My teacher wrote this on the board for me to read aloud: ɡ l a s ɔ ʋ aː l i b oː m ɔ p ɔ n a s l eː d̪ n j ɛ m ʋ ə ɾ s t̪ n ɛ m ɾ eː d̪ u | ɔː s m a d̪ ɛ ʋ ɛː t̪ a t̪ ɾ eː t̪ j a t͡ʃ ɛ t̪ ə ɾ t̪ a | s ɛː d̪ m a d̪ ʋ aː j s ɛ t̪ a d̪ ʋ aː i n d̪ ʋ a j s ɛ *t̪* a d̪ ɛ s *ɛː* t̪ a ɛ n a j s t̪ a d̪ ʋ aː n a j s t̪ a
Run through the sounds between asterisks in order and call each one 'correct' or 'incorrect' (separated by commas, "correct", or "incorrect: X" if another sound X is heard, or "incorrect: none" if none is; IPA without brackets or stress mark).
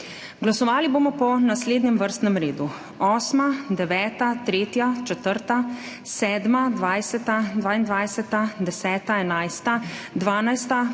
correct, correct